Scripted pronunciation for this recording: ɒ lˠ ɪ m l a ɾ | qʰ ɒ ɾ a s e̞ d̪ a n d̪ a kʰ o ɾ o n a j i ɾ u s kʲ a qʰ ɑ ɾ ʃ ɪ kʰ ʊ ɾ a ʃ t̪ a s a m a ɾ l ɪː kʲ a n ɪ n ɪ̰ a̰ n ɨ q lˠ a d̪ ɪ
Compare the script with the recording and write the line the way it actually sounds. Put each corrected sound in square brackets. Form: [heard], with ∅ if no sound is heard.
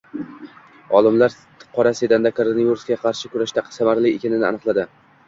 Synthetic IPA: ɒ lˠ ɪ m l a ɾ | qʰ ɒ ɾ a s e̞ d̪ a n d̪ a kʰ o ɾ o n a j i ɾ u s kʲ a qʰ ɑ ɾ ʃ ɪ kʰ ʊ ɾ a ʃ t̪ a s a m a ɾ l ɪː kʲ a n ɪ n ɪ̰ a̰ n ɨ q lˠ a d̪ ɪ